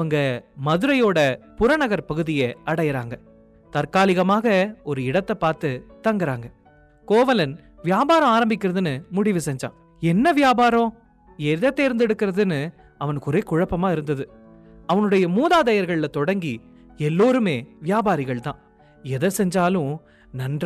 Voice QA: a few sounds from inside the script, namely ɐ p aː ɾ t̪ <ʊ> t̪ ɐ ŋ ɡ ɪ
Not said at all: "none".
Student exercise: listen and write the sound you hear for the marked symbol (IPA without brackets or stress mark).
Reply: ɯ